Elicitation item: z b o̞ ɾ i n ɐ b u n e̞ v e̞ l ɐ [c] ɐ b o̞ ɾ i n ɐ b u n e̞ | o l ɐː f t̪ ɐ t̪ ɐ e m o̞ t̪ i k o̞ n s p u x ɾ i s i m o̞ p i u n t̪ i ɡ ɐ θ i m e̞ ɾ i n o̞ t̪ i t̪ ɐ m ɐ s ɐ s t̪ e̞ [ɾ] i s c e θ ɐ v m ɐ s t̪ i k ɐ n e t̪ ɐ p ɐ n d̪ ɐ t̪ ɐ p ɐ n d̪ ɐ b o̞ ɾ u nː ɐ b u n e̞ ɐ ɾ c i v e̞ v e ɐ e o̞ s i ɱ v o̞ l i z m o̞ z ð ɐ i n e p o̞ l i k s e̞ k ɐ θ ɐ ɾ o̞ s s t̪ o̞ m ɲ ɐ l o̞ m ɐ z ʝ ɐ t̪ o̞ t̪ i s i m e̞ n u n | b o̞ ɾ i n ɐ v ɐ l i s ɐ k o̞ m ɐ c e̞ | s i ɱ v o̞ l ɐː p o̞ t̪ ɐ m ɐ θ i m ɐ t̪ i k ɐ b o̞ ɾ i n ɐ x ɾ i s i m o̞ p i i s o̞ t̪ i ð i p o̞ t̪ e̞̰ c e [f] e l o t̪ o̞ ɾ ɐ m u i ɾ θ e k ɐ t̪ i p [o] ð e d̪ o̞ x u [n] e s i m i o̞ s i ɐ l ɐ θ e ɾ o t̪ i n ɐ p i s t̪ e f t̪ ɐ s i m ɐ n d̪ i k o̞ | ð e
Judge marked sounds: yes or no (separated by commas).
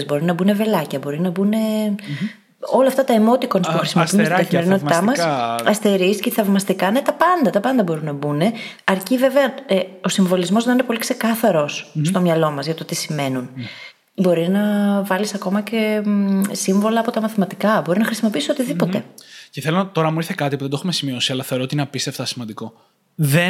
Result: yes, yes, no, no, no